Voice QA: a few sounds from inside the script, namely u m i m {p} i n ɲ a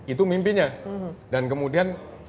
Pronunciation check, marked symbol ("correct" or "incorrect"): correct